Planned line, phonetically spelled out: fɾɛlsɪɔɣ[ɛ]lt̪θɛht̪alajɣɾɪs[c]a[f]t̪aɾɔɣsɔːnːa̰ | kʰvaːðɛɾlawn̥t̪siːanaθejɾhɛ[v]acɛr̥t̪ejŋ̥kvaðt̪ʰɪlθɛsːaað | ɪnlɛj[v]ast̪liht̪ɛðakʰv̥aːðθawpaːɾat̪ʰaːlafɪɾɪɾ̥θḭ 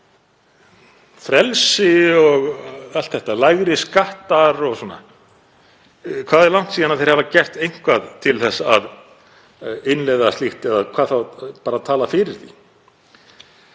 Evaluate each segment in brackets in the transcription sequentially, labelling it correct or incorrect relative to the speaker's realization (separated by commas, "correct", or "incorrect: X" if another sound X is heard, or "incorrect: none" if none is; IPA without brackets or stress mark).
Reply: incorrect: a, incorrect: k, incorrect: h, correct, incorrect: ð